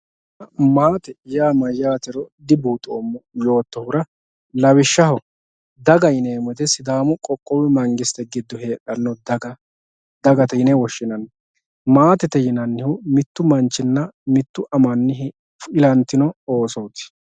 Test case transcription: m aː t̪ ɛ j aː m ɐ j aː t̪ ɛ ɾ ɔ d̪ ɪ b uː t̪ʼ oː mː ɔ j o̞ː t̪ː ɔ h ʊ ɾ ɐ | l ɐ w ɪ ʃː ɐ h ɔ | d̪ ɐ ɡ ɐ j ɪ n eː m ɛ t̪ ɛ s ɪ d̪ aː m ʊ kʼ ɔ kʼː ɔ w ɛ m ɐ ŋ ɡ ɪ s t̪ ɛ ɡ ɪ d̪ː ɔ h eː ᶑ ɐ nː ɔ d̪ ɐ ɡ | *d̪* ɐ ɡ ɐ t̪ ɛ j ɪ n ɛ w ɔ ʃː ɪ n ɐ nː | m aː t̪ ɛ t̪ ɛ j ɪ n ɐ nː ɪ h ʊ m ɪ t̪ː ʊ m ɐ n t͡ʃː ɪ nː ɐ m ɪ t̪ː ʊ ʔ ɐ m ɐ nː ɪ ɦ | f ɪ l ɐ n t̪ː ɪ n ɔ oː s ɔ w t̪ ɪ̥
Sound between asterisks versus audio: correct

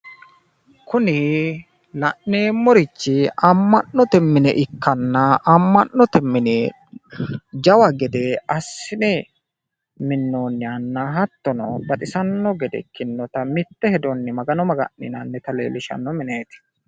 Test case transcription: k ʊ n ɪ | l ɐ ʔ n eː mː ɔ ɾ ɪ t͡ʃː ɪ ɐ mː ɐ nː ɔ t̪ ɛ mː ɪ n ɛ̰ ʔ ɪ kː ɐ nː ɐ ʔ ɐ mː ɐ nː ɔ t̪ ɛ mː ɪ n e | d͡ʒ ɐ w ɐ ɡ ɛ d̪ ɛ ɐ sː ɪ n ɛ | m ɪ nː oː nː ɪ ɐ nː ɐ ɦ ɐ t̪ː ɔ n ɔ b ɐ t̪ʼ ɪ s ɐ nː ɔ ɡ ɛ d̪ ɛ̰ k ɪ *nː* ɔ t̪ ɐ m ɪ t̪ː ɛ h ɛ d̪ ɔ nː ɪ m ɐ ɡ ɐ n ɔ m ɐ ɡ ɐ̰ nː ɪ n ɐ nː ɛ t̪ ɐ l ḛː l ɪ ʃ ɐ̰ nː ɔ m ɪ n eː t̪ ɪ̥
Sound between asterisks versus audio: correct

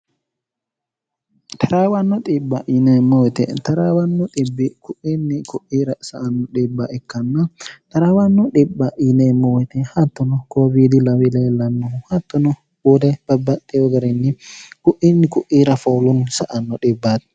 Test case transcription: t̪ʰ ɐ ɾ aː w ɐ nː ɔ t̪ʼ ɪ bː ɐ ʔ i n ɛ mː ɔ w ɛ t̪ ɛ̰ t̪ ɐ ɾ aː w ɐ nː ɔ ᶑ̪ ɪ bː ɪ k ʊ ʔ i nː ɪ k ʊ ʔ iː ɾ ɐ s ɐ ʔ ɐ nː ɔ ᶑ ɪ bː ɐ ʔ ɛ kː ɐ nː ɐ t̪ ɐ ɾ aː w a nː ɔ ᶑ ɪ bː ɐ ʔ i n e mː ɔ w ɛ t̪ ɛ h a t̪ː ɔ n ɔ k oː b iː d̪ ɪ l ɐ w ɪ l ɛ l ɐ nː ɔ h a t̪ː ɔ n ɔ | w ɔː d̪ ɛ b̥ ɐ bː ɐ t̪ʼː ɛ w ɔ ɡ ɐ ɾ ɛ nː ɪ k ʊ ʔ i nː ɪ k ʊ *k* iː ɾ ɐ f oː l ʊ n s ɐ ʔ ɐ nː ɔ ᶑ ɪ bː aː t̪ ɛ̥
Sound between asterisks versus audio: incorrect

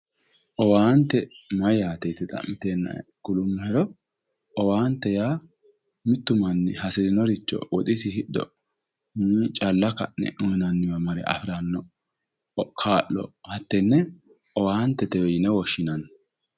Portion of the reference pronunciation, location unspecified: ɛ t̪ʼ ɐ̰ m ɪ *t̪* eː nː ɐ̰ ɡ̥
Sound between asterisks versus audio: correct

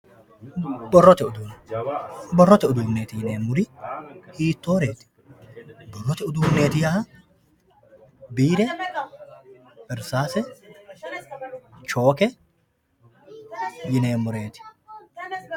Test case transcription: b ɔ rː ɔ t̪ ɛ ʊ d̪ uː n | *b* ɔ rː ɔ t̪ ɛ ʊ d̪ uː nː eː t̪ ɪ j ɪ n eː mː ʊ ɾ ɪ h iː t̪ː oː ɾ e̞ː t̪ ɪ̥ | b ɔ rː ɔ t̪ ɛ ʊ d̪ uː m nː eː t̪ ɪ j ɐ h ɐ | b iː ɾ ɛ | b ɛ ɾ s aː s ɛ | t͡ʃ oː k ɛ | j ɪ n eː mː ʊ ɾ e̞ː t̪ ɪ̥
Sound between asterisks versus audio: correct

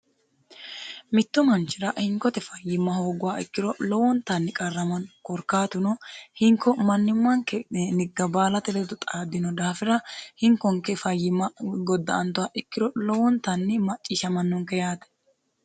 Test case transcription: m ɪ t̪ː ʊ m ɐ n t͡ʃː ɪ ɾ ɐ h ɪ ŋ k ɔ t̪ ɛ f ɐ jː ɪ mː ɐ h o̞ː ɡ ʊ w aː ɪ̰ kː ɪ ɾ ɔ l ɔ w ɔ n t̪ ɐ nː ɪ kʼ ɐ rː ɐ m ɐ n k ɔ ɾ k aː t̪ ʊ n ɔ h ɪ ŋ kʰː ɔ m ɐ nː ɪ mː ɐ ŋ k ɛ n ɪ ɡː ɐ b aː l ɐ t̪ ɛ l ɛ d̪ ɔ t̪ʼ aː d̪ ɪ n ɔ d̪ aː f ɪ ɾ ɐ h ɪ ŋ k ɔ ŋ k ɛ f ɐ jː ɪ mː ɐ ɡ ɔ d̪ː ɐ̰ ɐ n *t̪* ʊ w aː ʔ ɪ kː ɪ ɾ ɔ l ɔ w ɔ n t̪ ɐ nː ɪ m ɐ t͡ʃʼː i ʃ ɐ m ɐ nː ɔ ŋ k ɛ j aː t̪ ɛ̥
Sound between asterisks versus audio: correct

